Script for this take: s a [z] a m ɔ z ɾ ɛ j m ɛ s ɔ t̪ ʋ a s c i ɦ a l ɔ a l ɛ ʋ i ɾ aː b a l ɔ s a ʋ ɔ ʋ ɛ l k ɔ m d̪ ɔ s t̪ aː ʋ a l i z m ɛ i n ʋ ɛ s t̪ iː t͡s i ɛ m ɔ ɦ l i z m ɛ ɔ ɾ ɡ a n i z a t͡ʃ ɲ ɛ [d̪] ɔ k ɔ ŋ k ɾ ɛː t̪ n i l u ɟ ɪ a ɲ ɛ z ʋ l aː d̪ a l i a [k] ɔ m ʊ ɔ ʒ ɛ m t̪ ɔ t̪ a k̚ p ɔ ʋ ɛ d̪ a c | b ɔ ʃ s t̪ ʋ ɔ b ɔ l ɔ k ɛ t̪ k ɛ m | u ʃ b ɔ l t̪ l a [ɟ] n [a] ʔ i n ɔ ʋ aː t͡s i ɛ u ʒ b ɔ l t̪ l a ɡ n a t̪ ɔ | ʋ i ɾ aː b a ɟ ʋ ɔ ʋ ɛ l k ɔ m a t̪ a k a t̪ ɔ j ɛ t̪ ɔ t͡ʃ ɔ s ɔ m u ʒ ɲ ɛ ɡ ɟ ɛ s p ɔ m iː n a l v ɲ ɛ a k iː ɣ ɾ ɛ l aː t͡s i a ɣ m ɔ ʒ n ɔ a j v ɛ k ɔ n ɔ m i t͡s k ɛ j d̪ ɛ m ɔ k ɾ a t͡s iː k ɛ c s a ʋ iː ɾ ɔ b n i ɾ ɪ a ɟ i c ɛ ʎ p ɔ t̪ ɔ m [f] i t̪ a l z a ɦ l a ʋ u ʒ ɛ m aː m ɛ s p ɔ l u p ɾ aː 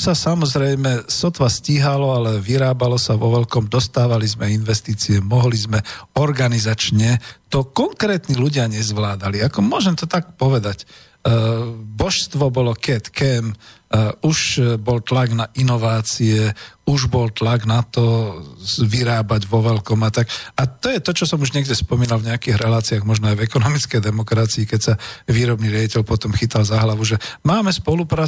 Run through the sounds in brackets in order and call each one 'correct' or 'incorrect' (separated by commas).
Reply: incorrect, incorrect, correct, incorrect, correct, incorrect